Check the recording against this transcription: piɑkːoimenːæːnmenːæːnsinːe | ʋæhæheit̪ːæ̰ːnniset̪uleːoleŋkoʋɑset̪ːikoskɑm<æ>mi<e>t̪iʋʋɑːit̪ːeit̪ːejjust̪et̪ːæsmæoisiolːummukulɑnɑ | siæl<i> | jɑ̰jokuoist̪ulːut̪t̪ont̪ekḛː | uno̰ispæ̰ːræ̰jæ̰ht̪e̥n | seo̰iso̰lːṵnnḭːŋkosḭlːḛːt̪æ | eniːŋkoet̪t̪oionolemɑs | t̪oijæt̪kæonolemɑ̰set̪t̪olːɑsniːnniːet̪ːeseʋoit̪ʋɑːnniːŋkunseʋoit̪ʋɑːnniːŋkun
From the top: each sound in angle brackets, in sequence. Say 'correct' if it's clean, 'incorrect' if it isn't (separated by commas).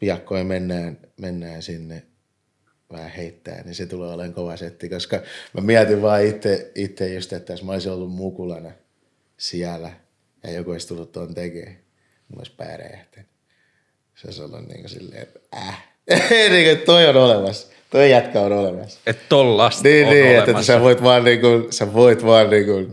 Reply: correct, incorrect, incorrect